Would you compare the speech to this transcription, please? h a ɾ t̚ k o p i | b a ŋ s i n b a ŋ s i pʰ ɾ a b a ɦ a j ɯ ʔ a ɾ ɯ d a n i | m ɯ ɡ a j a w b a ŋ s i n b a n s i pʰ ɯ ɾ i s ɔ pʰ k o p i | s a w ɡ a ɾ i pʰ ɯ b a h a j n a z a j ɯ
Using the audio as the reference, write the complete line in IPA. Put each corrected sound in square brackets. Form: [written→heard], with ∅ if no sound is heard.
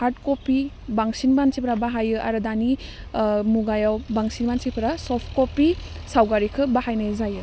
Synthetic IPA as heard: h a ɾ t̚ k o p i | b a ŋ s i n b a [ŋ→n] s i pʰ ɾ a b a ɦ a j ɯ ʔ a ɾ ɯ d a n i | m [ɯ→u] ɡ a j a w b a ŋ s i n b a n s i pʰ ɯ ɾ [i→a] s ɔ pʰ k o p i | s a w ɡ a ɾ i [pʰ→kʰ] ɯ b a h a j n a z a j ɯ